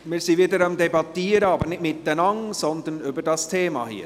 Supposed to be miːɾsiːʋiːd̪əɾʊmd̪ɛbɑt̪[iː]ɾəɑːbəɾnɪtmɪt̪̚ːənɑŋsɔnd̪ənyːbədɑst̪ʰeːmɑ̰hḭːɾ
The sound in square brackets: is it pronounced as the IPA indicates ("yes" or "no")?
yes